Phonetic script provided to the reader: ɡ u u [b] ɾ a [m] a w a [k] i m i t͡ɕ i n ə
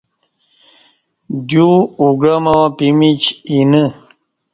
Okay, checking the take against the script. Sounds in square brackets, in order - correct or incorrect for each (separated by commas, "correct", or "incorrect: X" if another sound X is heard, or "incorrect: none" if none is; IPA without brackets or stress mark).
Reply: incorrect: ɡ, correct, incorrect: p